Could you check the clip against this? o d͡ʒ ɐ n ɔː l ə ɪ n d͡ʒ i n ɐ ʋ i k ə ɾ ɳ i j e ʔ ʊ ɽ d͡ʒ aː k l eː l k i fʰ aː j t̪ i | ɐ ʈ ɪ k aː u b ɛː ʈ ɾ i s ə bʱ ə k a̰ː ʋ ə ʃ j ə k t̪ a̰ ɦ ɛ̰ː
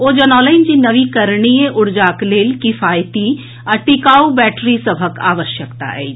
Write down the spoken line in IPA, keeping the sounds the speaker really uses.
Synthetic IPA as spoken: o d͡ʒ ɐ n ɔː l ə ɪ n d͡ʒ i n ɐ ʋ i k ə ɾ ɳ i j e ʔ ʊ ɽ d͡ʒ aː k l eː l k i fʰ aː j t̪ i | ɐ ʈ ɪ k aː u b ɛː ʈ ɾ i s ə bʱ ə k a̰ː ʋ ə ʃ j ə k t̪ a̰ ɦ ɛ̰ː